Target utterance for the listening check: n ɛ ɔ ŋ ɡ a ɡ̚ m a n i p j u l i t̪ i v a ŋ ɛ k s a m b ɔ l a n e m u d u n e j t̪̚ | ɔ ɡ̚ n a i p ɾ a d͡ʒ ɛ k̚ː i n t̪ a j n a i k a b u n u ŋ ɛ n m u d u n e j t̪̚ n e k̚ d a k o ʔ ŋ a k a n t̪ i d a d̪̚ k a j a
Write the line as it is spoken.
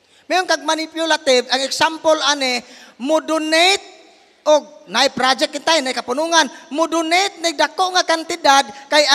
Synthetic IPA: m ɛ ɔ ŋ k a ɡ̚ m a n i p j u l a t̪ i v a ŋ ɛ k s a m p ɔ l a n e m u d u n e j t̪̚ | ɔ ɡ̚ n a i p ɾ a d͡ʒ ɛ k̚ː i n t̪ a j n a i k a p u n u ŋ a n m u d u n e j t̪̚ n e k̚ d a k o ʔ ŋ a k a n t̪ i d a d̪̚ k a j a